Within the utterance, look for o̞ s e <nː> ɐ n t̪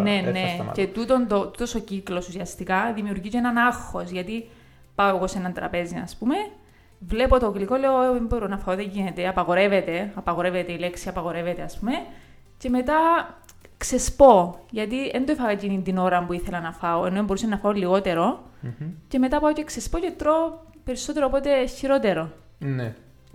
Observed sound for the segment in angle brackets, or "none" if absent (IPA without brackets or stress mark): n